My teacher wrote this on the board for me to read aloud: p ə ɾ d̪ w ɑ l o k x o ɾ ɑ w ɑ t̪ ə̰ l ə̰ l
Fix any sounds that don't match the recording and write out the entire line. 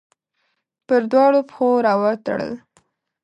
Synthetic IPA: p ə ɾ d̪ w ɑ ɽ o p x o ɾ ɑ w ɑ t̪ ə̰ ɽ ə̰ l